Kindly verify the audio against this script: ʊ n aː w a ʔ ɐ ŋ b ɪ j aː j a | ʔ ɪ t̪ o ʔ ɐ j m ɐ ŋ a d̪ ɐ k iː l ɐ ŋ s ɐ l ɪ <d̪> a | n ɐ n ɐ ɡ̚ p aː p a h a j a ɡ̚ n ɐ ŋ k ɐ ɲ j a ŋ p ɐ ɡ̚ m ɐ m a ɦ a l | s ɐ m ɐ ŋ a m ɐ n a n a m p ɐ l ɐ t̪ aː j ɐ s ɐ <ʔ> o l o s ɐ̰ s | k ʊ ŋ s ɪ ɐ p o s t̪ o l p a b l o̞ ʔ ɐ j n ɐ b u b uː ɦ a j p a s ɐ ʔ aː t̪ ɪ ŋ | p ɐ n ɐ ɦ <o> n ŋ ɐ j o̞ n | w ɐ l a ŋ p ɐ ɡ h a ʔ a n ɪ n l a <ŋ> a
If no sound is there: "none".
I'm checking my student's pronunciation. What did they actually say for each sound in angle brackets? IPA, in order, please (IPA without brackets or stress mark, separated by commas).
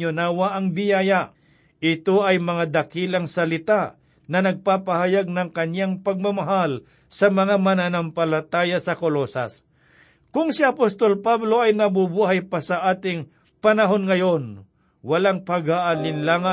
t̪, k, o, ŋ